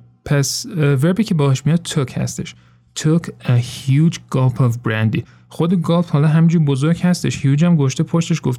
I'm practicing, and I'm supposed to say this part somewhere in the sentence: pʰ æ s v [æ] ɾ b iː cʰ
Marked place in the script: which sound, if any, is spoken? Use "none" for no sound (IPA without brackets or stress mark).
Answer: e